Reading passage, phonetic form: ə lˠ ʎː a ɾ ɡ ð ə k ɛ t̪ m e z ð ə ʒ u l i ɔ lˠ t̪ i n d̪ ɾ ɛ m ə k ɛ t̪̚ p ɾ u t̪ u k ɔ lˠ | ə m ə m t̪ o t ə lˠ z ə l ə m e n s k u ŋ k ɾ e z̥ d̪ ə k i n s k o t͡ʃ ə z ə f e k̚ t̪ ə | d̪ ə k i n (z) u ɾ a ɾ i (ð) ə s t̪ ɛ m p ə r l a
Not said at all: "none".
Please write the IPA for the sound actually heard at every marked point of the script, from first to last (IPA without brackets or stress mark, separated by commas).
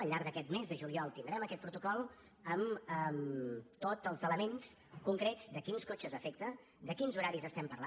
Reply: z, z